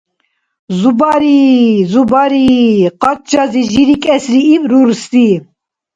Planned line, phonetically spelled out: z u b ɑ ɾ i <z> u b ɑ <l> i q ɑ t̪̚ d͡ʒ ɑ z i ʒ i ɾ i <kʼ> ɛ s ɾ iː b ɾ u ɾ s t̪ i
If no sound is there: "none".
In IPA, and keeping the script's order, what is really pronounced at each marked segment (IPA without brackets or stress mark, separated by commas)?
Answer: z, ɾ, kʼ